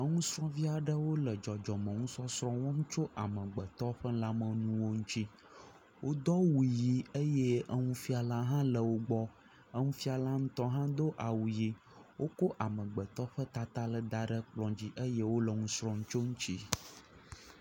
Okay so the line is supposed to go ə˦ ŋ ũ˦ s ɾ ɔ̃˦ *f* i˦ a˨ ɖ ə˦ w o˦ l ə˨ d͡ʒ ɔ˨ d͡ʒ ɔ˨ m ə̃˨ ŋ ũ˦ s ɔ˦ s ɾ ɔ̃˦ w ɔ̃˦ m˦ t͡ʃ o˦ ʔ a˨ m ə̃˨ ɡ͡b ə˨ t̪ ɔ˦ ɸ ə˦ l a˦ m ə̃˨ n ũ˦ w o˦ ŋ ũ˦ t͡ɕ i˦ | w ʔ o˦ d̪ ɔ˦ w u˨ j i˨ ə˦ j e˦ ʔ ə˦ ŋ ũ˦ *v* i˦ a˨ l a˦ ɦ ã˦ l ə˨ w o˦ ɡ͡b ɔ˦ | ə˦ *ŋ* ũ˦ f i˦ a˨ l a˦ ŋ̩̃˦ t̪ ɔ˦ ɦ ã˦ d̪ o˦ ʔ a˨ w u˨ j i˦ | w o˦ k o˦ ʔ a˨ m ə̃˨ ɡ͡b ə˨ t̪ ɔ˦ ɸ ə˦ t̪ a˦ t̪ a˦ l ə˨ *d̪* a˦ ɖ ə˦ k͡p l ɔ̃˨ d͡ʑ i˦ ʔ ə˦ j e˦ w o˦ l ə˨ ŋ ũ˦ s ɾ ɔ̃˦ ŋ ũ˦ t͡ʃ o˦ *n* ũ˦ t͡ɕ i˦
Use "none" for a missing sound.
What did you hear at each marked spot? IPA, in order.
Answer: v, f, ŋ, d̪, ŋ

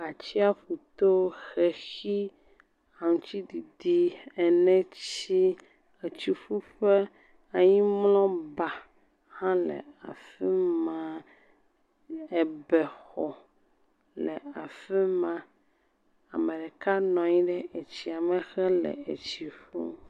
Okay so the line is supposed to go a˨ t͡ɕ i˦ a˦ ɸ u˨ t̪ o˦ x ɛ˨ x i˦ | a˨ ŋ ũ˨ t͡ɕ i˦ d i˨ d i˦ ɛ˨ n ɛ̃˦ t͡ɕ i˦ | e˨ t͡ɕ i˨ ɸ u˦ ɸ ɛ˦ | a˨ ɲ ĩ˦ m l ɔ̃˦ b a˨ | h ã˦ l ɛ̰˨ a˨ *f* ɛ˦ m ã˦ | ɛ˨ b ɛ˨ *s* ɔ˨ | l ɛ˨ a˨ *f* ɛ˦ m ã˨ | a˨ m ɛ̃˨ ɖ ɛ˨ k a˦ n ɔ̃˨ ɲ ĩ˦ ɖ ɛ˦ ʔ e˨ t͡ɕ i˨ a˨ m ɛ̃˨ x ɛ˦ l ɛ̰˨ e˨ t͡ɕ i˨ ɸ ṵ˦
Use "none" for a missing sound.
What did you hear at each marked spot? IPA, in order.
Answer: f, x, f

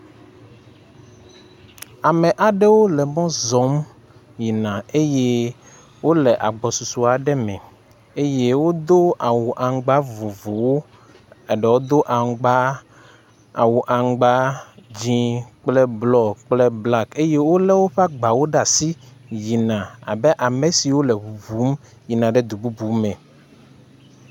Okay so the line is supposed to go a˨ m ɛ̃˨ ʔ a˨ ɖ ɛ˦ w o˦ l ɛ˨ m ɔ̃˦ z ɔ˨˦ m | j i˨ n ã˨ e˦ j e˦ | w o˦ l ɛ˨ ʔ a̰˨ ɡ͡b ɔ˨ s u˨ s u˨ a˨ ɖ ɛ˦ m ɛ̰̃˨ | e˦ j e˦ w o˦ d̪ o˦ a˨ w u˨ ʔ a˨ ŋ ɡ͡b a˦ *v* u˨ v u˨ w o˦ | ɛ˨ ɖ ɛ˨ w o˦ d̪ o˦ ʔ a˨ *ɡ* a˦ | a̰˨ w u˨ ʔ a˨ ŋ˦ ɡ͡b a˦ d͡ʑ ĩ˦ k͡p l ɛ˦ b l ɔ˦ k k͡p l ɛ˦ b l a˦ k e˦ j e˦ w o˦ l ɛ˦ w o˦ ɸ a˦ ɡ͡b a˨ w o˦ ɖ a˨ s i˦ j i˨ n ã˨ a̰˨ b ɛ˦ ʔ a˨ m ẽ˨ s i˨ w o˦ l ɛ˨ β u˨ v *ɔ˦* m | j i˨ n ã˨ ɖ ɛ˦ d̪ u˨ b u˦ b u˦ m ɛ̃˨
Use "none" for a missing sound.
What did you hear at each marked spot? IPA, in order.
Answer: v, ɡ͡b, u˦

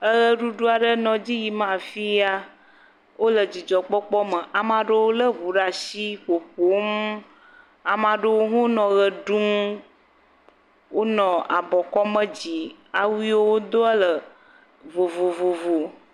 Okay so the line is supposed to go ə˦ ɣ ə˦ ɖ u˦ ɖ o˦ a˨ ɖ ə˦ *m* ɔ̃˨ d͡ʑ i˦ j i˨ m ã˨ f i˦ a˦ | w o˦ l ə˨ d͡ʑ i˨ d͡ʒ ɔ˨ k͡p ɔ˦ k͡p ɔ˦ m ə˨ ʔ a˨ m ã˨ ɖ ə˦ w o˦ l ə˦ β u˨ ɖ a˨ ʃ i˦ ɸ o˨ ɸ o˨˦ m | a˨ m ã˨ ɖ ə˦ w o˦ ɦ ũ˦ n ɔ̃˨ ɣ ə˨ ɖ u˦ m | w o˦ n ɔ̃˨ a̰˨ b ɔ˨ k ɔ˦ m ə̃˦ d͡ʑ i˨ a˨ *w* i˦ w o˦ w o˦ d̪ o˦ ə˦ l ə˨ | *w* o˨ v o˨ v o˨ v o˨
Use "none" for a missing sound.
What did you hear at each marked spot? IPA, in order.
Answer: n, w, v

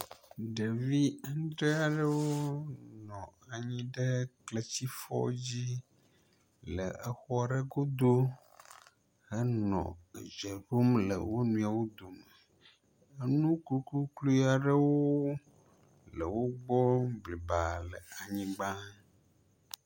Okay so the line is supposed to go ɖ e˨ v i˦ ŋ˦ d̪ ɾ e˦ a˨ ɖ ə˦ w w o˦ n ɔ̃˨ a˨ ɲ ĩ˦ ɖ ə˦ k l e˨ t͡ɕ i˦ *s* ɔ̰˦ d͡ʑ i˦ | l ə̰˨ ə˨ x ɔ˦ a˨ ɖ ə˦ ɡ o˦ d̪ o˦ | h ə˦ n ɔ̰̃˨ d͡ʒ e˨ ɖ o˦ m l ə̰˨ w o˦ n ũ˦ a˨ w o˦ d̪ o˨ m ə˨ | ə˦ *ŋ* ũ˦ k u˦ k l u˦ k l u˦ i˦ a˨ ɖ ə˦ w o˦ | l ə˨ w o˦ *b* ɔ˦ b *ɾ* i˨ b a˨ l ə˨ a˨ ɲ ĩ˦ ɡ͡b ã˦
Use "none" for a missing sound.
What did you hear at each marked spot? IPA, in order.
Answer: f, n, ɡ͡b, l

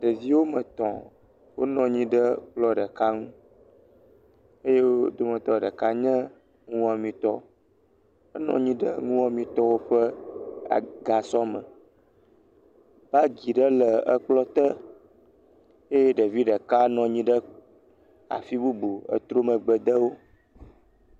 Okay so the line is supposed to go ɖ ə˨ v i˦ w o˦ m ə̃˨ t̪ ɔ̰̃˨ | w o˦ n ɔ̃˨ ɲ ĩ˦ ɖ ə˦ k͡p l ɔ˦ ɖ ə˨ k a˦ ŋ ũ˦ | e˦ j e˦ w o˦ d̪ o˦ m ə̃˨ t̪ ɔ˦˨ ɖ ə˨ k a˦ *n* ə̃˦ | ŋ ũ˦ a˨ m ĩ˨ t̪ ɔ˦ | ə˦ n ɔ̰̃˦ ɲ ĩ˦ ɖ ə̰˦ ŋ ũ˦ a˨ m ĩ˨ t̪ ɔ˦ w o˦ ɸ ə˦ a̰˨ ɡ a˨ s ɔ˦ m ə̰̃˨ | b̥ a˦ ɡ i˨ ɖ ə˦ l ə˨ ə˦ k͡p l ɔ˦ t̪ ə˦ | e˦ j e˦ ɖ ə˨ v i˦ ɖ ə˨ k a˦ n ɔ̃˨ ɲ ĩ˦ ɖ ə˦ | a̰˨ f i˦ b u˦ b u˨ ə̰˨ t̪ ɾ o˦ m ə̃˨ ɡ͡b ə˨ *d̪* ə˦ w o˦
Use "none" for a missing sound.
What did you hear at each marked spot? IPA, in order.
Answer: ɲ, d̪

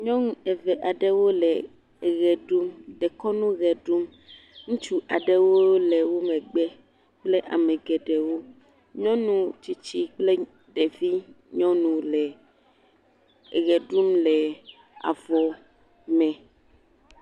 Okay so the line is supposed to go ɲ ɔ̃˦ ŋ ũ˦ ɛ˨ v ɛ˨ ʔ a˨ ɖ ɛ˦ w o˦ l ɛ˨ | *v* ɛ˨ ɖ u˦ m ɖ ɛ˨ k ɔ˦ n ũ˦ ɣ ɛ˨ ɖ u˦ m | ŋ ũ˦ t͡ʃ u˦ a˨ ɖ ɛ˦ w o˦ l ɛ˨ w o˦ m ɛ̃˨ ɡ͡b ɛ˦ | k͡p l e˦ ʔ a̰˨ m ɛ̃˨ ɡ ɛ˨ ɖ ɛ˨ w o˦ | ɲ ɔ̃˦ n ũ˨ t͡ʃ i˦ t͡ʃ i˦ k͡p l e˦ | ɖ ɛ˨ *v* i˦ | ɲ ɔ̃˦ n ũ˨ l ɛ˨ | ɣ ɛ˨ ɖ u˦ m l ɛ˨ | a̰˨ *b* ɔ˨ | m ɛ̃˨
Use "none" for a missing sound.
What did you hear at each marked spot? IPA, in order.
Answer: ɣ, v, v

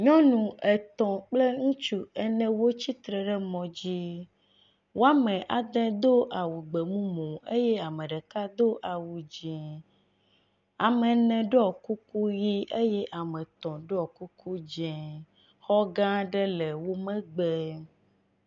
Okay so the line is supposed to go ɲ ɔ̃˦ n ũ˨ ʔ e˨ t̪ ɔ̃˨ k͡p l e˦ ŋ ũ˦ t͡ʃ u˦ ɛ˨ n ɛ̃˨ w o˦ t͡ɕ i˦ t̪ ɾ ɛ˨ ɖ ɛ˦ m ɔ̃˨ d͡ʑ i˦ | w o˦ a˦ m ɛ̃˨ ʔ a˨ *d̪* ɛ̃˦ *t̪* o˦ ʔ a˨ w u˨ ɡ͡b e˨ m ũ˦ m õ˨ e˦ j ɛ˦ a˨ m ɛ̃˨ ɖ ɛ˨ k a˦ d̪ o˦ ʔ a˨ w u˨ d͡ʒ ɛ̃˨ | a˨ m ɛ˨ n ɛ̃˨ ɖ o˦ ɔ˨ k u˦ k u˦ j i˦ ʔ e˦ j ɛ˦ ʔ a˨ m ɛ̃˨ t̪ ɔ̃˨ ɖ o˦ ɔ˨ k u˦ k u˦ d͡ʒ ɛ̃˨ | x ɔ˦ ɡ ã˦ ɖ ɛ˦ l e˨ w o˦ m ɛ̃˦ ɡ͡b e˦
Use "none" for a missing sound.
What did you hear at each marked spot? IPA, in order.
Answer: d̪, d̪

